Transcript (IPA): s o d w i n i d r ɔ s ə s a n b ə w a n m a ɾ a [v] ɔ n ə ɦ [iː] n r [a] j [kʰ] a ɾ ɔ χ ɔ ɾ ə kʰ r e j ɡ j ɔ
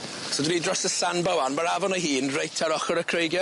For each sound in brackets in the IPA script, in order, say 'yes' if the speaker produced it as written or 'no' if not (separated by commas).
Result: yes, yes, no, no